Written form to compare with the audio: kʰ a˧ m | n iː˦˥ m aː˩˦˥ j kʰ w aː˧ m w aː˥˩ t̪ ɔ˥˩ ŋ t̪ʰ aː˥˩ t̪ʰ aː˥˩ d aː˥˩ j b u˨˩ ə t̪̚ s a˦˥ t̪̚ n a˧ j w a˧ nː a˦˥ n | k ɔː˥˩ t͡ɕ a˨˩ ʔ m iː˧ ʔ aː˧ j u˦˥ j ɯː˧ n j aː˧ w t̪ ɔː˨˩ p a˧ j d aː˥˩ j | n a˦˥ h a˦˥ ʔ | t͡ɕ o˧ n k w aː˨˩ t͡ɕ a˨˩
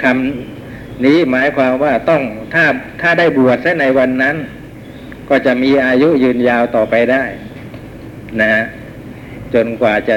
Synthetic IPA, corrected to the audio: kʰ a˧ m | n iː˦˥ m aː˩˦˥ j kʰ w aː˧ m w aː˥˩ t̪ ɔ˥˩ ŋ t̪ʰ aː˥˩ t̪ʰ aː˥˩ d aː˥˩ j b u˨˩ ə t̪̚ s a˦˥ n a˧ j w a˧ nː a˦˥ n | k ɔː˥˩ t͡ɕ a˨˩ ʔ m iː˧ ʔ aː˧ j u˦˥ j ɯː˧ n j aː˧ w t̪ ɔː˨˩ p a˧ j d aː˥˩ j | n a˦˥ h a˦˥ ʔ | t͡ɕ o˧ n k w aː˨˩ t͡ɕ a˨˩